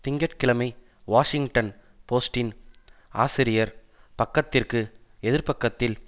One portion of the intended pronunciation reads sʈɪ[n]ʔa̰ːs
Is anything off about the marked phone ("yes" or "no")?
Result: no